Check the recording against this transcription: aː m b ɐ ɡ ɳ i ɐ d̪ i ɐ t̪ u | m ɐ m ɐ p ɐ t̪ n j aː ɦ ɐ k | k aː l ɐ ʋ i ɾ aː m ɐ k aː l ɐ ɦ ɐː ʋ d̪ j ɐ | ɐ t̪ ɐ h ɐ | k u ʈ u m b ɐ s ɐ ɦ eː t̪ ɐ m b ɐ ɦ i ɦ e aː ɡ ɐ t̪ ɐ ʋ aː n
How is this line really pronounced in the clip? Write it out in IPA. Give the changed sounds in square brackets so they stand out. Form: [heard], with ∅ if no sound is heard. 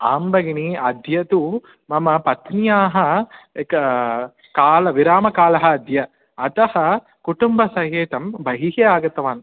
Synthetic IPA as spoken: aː m b ɐ ɡ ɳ i ɐ d̪ [j] ɐ t̪ u | m ɐ m ɐ p ɐ t̪ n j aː ɦ ɐ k | k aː l ɐ ʋ i ɾ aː m ɐ k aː l ɐ ɦ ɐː [∅] d̪ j ɐ | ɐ t̪ ɐ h ɐ | k u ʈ u m b ɐ s ɐ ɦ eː t̪ ɐ m b ɐ ɦ i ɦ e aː ɡ ɐ t̪ ɐ ʋ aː n